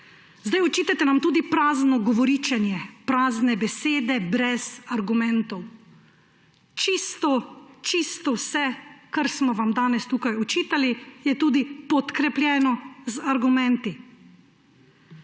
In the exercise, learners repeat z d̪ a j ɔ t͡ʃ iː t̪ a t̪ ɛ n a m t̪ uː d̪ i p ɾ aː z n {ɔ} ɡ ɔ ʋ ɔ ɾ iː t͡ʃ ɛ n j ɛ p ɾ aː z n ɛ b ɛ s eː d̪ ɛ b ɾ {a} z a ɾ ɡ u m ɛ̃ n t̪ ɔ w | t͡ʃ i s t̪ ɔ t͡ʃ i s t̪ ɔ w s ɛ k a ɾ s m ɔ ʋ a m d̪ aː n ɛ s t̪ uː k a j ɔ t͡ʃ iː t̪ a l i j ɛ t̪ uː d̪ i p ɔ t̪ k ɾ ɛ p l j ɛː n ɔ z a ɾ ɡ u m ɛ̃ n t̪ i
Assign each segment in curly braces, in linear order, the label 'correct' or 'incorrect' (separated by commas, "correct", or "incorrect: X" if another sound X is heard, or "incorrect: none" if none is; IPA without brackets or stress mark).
correct, incorrect: ɛ